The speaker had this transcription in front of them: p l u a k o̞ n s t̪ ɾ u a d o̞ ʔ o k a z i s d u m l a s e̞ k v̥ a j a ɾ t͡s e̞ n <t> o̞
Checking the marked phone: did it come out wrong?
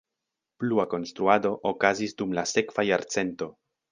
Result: no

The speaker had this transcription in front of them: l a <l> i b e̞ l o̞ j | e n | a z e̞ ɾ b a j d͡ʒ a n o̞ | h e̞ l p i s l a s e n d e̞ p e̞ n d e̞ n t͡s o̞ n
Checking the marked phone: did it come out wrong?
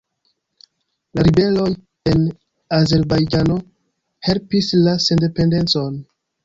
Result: yes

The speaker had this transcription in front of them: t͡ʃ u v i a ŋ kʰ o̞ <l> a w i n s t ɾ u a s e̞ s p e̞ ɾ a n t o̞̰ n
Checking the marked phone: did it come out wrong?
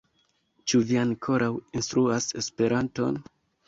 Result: yes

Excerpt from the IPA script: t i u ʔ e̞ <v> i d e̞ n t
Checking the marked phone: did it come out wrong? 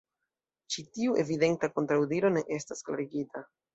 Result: no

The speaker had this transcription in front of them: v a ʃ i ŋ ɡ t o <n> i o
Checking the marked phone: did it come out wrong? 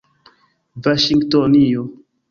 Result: no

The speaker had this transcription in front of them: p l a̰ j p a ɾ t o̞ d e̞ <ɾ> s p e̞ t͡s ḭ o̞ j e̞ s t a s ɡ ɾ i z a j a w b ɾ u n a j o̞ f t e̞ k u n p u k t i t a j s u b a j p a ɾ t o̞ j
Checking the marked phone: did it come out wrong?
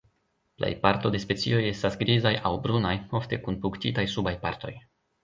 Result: yes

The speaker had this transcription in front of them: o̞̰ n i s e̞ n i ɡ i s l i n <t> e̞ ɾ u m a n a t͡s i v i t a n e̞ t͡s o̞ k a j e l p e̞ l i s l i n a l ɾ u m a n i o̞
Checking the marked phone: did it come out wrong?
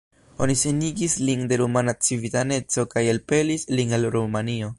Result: yes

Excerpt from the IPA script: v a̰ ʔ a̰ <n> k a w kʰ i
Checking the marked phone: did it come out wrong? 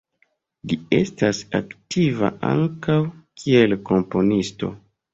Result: yes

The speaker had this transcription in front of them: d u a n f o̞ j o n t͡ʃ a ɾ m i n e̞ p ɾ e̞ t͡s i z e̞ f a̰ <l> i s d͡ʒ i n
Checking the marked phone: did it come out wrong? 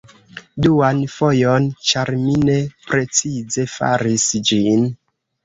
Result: yes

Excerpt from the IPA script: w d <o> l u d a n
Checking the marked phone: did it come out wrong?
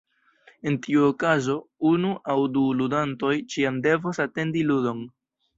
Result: yes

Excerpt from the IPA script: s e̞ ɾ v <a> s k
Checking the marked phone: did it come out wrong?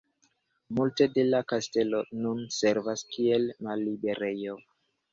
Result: no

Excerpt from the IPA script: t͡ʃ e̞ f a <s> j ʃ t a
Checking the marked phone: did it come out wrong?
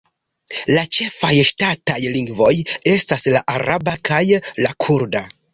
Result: yes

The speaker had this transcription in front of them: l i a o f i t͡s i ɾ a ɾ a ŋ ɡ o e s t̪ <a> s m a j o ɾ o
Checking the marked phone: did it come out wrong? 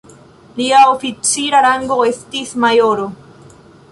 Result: yes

